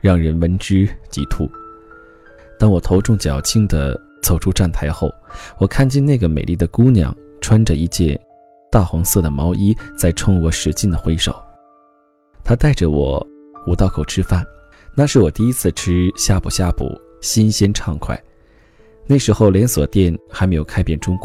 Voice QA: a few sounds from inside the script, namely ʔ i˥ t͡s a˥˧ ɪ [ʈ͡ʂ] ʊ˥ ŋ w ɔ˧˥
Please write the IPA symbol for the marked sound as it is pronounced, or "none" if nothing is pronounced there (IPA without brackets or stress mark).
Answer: ʈ͡ʂʰ